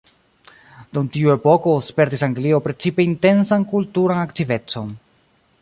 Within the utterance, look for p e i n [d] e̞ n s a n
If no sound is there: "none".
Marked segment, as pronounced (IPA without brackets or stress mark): t